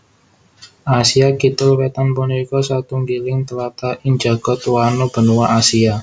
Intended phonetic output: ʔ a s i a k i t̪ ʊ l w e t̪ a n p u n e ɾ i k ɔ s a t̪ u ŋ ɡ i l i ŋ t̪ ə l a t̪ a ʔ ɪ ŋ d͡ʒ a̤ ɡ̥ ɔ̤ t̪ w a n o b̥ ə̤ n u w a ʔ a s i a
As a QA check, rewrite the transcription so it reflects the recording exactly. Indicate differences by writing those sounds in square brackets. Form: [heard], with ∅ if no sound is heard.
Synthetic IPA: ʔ a s i a k i t̪ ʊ l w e t̪ a n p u n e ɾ i k ɔ s a t̪ u ŋ ɡ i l [ɪ] ŋ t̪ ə l a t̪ a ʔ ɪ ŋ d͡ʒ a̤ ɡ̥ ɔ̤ t̪ w a n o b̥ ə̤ n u w a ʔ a s i a

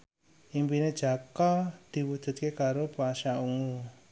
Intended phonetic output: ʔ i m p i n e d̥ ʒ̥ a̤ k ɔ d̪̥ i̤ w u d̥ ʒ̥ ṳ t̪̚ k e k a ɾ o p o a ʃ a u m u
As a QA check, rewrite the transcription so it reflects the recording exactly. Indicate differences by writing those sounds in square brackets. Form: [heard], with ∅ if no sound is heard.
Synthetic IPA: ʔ i m p i n e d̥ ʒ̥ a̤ k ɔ d̪̥ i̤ w u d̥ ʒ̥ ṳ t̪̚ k e k a ɾ o p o a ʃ a u [ŋ] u

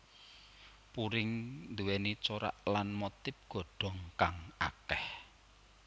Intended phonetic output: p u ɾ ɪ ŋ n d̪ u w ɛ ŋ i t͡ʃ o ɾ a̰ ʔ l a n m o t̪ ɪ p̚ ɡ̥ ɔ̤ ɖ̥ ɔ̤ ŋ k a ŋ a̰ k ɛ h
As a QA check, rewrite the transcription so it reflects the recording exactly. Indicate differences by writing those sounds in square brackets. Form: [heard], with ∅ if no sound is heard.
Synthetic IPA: p u ɾ ɪ ŋ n d̪ u w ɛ [n] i t͡ʃ o ɾ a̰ ʔ l a n m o t̪ ɪ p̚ ɡ̥ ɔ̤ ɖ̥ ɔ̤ ŋ k a ŋ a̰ k ɛ h

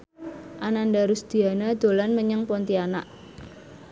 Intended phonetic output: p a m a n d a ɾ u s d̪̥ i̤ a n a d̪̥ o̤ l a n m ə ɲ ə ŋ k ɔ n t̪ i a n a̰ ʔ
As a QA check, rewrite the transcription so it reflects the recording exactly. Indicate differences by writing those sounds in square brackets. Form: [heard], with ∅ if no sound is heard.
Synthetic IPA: [ʔ] a [n] a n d a ɾ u s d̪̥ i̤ a n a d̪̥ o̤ l a n m ə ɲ ə ŋ [p] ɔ n t̪ i a n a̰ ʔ

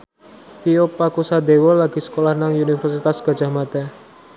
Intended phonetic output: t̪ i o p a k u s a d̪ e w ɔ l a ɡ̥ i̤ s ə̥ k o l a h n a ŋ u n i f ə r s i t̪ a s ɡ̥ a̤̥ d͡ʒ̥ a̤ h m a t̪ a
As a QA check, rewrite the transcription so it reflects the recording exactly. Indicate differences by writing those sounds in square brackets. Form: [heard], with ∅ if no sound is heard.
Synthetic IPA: t̪ i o p a k u s a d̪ e w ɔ l a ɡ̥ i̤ s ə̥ k o l a h n a ŋ u n i f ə r s i t̪ a s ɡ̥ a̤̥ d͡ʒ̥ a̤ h m a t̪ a

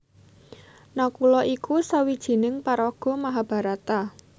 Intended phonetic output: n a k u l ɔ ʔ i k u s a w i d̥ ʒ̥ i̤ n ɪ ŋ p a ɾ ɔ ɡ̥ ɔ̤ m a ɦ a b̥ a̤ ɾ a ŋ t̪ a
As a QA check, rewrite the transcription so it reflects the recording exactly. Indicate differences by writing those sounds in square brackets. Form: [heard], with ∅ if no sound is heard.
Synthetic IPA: n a k u l ɔ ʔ i k u s a w i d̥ ʒ̥ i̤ n ɪ ŋ p a ɾ ɔ ɡ̥ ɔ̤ m a ɦ a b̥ a̤ ɾ a [∅] t̪ a

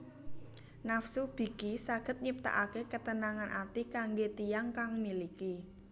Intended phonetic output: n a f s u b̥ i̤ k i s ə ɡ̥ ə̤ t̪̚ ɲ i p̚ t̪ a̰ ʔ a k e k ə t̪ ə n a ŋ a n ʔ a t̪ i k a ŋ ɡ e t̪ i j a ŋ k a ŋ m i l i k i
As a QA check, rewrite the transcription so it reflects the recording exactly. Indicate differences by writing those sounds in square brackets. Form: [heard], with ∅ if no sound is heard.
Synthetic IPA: n a f s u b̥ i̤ k i s [a] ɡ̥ ə̤ t̪̚ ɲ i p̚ t̪ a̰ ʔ a k e k ə t̪ ə n a ŋ a n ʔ a t̪ i k a ŋ ɡ e t̪ i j a ŋ k a ŋ m i l i k i

